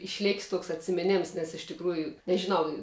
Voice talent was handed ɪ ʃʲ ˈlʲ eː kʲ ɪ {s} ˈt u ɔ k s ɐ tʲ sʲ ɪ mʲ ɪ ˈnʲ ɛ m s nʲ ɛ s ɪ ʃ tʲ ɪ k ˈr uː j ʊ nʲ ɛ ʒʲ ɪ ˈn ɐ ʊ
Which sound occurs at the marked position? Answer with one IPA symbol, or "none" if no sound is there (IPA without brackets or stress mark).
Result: s